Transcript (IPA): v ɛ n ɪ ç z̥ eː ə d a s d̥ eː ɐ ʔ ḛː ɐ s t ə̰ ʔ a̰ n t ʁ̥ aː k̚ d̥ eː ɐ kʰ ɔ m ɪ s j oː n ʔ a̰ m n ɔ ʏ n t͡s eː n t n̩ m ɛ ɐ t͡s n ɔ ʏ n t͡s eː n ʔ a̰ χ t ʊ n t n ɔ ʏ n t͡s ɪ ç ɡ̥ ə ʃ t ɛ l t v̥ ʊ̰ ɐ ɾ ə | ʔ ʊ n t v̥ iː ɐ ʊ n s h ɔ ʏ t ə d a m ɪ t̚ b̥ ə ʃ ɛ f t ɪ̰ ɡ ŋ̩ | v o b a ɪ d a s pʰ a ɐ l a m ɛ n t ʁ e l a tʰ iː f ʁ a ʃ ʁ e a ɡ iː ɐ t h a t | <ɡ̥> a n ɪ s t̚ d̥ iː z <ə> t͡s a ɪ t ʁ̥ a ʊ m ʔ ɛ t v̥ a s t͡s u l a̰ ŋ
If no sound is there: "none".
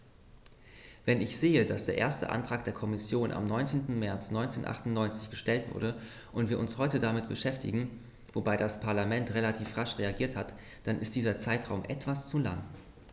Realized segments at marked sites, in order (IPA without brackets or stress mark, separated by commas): d̥, ɐ